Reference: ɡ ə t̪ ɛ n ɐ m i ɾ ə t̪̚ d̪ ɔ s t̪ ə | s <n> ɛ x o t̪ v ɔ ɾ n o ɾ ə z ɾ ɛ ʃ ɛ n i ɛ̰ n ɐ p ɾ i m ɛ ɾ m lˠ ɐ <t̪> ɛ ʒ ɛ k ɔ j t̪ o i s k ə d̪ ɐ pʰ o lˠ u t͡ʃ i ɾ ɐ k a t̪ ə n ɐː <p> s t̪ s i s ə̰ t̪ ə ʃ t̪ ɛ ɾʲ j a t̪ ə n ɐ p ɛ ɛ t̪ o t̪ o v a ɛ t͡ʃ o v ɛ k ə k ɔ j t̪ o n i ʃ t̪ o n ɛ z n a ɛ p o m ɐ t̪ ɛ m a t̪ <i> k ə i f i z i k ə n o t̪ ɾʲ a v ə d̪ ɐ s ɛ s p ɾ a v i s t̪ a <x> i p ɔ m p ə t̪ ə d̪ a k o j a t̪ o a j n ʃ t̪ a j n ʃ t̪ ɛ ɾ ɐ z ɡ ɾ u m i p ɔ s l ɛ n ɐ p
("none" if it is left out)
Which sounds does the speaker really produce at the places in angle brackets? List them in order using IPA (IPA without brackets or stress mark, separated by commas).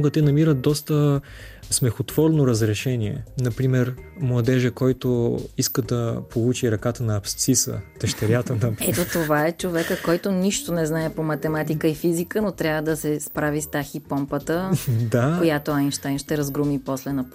m, d̪, p, i, x